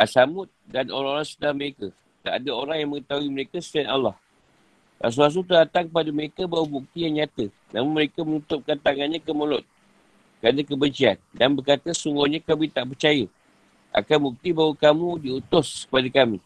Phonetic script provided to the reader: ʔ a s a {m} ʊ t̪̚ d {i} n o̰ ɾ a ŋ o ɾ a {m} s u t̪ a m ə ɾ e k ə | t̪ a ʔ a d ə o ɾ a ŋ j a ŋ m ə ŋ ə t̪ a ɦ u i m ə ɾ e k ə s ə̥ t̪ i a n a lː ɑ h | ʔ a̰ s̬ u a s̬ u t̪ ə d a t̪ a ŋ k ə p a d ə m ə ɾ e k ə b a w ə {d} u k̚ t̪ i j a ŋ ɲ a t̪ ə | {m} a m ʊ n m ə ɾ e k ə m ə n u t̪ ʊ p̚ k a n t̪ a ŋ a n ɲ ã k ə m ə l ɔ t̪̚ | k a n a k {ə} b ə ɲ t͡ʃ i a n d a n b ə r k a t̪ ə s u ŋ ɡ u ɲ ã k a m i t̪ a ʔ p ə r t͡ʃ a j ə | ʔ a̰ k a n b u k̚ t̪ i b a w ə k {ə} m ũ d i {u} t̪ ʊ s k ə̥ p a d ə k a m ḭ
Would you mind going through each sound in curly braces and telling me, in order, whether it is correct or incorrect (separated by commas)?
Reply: correct, incorrect, incorrect, incorrect, incorrect, correct, incorrect, correct